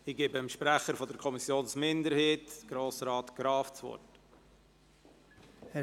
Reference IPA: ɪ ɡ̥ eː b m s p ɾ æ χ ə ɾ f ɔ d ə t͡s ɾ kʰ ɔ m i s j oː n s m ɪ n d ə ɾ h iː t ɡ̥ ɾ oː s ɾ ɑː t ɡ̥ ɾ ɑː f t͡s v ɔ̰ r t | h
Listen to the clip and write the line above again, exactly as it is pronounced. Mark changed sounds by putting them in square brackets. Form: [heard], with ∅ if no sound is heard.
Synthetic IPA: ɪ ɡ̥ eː b m [ʃ] p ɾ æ χ ə ɾ f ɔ d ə [∅] ɾ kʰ ɔ m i s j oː n s m ɪ n d ə ɾ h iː t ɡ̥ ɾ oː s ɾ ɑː t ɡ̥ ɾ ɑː f t͡s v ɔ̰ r t | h